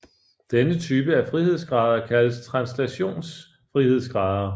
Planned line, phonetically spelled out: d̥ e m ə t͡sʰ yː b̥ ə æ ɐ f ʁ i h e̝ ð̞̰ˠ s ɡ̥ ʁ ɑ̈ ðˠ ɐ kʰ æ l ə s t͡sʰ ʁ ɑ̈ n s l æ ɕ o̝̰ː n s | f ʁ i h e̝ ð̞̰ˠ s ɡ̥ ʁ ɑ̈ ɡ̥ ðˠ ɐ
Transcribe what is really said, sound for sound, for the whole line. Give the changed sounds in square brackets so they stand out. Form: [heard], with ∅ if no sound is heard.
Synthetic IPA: d̥ e [n] ə t͡sʰ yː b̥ ə æ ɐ f ʁ i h e̝ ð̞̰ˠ s ɡ̥ ʁ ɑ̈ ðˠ ɐ kʰ æ l ə s t͡sʰ ʁ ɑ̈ n s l æ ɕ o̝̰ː n s | f ʁ i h e̝ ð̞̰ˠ s ɡ̥ ʁ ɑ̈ [∅] ðˠ ɐ